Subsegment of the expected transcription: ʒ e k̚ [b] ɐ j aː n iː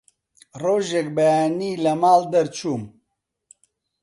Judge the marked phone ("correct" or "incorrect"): correct